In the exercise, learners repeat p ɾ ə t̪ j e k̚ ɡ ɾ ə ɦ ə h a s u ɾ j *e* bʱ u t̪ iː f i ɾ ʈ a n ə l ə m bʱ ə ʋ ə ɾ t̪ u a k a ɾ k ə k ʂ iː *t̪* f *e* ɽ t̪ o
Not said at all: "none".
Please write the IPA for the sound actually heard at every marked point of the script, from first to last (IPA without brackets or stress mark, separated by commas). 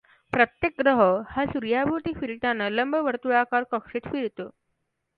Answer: a, t̪, i